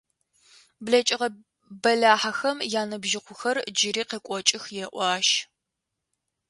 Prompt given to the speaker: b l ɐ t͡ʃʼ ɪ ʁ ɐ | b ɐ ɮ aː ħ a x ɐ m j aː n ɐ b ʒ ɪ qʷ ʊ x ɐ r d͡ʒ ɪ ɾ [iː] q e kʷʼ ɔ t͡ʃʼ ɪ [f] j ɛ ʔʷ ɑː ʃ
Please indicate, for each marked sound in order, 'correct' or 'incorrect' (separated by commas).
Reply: correct, incorrect